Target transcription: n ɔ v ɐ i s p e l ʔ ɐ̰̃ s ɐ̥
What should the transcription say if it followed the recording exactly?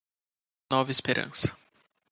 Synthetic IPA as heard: n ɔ v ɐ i s p e ɾ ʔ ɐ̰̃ s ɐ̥